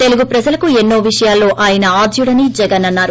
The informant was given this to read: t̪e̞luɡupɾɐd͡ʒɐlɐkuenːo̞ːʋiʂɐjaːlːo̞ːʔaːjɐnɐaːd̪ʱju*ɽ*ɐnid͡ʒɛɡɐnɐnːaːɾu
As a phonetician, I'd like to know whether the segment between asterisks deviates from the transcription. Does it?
no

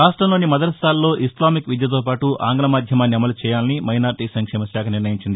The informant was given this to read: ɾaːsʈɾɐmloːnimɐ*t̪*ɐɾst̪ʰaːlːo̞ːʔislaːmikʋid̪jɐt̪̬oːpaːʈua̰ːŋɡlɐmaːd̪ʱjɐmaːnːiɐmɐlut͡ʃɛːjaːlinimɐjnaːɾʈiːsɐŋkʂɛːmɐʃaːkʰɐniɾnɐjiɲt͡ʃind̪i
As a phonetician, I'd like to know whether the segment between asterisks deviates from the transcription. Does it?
yes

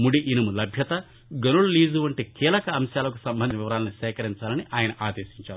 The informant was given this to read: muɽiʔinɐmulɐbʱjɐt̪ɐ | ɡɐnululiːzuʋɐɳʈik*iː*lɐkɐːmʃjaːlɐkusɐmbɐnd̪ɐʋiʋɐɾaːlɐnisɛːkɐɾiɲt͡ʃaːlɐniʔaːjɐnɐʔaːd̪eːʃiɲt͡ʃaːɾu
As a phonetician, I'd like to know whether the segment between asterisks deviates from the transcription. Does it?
no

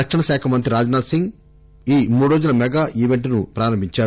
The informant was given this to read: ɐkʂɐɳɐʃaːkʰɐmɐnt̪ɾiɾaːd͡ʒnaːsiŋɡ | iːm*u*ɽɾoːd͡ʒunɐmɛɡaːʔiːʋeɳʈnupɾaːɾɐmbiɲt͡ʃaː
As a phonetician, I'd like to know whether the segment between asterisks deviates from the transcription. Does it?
yes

